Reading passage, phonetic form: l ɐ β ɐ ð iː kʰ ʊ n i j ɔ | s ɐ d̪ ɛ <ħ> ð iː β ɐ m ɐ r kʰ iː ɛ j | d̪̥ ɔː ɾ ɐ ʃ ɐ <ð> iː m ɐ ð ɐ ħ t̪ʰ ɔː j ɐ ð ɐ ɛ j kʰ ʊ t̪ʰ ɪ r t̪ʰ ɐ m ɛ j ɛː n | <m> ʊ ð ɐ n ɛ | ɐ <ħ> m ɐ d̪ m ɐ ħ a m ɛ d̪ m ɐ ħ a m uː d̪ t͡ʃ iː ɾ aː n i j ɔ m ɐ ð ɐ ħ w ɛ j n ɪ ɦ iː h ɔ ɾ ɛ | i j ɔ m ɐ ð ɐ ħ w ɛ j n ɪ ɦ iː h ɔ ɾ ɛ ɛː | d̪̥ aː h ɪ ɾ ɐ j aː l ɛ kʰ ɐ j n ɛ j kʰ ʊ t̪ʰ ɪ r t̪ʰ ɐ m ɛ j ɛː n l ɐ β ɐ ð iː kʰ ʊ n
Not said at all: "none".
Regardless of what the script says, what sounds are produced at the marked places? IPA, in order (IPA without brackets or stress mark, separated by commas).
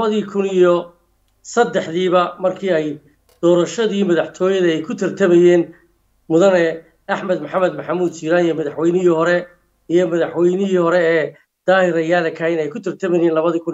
ħ, ð, m, ħ